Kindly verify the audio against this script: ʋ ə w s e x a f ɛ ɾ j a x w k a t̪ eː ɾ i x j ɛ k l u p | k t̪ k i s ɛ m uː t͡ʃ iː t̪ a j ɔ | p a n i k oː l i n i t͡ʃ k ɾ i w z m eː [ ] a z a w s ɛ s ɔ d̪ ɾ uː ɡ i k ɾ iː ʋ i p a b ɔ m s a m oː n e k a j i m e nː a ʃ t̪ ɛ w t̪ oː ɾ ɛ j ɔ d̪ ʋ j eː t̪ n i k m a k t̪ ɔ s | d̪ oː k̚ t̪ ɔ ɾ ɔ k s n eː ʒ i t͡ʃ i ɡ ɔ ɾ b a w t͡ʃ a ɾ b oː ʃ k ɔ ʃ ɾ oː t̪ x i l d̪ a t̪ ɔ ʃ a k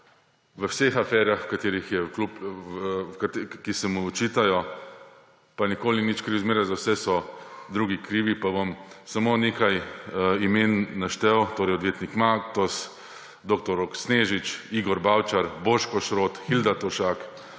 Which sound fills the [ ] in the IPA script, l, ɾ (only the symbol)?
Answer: ɾ